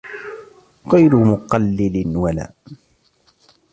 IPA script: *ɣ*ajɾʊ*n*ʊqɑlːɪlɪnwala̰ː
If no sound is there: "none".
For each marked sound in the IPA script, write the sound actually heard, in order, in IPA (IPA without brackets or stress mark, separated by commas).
ɣ, m